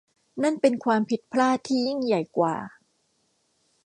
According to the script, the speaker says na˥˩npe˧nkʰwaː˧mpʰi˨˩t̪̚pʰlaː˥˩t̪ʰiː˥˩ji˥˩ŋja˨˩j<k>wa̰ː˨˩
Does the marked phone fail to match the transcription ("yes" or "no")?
no